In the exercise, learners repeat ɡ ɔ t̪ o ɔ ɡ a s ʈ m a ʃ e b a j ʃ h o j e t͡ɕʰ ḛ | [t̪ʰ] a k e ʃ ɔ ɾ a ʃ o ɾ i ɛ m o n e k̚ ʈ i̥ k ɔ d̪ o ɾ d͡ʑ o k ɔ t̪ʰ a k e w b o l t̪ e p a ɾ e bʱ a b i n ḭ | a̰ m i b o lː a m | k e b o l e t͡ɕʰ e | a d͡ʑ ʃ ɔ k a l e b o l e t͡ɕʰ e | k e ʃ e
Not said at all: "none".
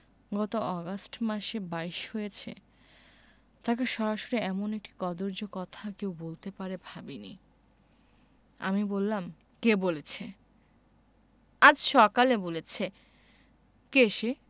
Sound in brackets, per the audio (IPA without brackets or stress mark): t̪